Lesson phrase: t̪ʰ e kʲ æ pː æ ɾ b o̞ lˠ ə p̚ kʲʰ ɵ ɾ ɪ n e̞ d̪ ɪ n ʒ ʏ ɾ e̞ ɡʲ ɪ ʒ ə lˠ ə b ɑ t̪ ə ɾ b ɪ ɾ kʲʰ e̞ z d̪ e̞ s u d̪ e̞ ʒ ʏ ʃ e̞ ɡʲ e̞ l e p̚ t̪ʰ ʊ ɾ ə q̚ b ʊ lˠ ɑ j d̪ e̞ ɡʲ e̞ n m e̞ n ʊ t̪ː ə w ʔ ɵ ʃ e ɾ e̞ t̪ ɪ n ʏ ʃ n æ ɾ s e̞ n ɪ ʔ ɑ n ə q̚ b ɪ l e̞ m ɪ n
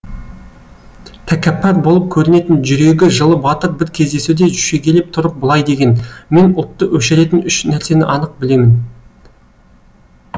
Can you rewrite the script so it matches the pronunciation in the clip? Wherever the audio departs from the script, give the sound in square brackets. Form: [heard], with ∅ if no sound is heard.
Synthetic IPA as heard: t̪ʰ [æ] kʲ æ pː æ ɾ b o̞ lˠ ə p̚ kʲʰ ɵ ɾ ɪ n e̞ [t̪] ɪ n ʒ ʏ ɾ e̞ ɡʲ ɪ ʒ ə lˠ ə b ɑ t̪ ə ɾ b ɪ ɾ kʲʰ e̞ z d̪ e̞ s u d̪ e̞ ʒ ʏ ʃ e̞ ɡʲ e̞ l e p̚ t̪ʰ ʊ ɾ ə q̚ b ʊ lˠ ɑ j d̪ e̞ ɡʲ e̞ n m e̞ n ʊ t̪ː ə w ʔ ɵ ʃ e ɾ e̞ t̪ ɪ n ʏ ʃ n æ ɾ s e̞ n ɪ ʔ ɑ n ə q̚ b ɪ l e̞ m ɪ n

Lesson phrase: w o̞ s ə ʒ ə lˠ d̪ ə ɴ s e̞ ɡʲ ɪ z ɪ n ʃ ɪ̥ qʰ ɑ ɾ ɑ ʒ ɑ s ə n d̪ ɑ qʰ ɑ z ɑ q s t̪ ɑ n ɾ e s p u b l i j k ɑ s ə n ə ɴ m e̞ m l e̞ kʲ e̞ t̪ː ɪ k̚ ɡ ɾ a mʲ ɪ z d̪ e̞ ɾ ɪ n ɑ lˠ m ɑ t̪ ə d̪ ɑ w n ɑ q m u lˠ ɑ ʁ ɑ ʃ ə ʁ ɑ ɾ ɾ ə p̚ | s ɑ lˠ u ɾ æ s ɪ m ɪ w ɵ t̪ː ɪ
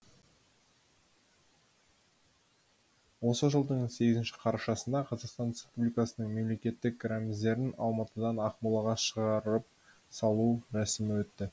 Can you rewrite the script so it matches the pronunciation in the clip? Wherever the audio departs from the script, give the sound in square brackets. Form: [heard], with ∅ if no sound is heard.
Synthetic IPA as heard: w o̞ s ə ʒ ə lˠ d̪ ə ɴ s e̞ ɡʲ ɪ z ɪ n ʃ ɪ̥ qʰ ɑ ɾ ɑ [ʃ] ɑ s ə n d̪ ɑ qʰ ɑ z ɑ q s t̪ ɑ n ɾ e s p u b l i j k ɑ s ə n ə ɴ m e̞ m l e̞ kʲ e̞ t̪ː ɪ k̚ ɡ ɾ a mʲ ɪ z d̪ e̞ ɾ ɪ n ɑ lˠ m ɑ t̪ ə d̪ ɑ [∅] n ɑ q m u lˠ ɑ ʁ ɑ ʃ ə ʁ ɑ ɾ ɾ ə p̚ | s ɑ lˠ u ɾ æ s ɪ m ɪ w ɵ t̪ː ɪ

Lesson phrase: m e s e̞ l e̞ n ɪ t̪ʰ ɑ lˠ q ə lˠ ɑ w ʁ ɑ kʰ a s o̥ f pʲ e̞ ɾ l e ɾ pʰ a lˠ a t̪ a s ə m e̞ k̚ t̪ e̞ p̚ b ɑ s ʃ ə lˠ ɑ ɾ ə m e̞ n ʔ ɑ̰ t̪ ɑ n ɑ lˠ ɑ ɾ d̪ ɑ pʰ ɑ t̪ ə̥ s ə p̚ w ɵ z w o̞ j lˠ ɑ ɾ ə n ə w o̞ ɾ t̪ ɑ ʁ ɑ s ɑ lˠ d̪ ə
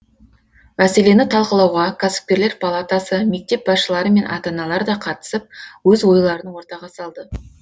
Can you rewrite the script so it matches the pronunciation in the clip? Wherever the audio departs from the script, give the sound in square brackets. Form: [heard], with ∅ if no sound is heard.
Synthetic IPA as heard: m [æ] s e̞ l e̞ n ɪ t̪ʰ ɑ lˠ q ə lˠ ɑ w ʁ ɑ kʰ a s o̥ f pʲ e̞ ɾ l e ɾ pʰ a lˠ a t̪ a s ə m e̞ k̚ t̪ e̞ p̚ b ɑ s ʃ ə lˠ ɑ ɾ ə m e̞ n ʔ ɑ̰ t̪ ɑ n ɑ lˠ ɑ ɾ d̪ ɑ [qʰ] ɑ t̪ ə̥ s ə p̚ w ɵ z w o̞ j lˠ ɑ ɾ ə n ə w o̞ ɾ t̪ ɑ ʁ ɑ s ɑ lˠ d̪ ə

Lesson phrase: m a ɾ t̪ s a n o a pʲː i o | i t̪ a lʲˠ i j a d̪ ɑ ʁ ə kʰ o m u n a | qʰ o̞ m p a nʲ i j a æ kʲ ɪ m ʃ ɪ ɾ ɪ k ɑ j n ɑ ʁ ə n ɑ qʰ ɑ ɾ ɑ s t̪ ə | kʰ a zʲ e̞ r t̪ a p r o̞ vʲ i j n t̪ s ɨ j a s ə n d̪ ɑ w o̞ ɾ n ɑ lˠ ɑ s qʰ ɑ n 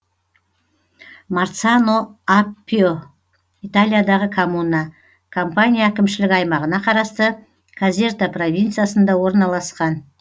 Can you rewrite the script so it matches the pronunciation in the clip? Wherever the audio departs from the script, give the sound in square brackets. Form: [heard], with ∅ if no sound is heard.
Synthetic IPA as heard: m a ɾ t̪ s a n o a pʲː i o | i t̪ a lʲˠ i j a d̪ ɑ ʁ ə kʰ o m u n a | [kʰ] o̞ m p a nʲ i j a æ kʲ ɪ m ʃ ɪ [l] ɪ k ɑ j [m] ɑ ʁ ə n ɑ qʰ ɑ ɾ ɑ s t̪ ə | kʰ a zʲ e̞ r t̪ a p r o̞ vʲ i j n t̪ s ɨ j a s ə n d̪ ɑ w o̞ ɾ n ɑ lˠ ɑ s [q] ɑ n

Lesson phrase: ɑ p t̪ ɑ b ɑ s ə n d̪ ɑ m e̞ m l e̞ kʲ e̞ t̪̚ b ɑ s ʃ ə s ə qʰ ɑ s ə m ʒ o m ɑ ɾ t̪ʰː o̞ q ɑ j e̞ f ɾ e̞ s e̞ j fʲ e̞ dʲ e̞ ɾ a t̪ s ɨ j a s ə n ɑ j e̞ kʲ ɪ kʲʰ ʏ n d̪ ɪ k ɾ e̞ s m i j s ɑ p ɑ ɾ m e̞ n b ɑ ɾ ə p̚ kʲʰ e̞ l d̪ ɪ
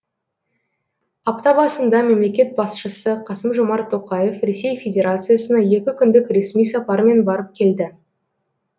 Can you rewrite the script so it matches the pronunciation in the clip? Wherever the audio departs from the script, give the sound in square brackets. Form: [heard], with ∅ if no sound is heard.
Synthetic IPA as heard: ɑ p t̪ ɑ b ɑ s ə n d̪ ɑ m e̞ m l e̞ kʲ e̞ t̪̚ b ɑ s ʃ ə s ə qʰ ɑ s ə m ʒ o m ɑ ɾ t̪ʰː o̞ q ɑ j e̞ f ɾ e̞ s e̞ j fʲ e̞ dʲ e̞ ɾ a t̪ s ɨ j a s ə n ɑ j e̞ kʲ ɪ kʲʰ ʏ n d̪ ɪ k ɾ e̞ s m i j s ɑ p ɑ ɾ m e̞ n b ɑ ɾ ə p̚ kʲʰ e̞ l d̪ ɪ

